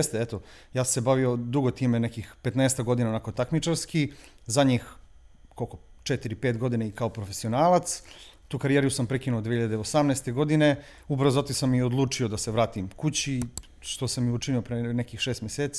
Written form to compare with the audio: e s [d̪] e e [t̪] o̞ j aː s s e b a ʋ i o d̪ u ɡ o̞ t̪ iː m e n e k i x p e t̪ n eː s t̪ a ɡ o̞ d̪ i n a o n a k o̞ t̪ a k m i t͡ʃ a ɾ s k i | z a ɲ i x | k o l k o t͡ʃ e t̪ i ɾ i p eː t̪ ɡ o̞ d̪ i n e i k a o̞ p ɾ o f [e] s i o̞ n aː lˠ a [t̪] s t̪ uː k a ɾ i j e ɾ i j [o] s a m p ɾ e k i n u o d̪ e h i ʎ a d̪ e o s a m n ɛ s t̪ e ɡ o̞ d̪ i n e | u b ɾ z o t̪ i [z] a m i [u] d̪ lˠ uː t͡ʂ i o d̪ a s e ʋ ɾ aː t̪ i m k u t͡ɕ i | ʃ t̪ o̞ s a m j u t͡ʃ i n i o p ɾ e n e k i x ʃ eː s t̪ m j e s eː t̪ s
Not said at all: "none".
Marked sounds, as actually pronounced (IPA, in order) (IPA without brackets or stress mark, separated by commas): t̪, t̪, e, t̪, u, s, o